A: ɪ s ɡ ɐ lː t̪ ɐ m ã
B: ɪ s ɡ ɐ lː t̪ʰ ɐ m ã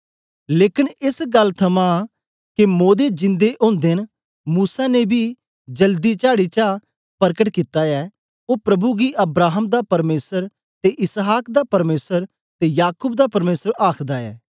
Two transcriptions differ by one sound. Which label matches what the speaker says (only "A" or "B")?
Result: B